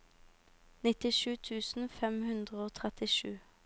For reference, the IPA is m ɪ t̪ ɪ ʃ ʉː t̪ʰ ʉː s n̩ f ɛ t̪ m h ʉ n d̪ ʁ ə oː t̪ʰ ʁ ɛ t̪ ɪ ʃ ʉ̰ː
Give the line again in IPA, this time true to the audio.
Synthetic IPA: n ɪ t̪ ɪ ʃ ʉː t̪ʰ ʉː s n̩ f ɛ m h ʉ n d̪ ʁ ə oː t̪ʰ ʁ ɛ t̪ ɪ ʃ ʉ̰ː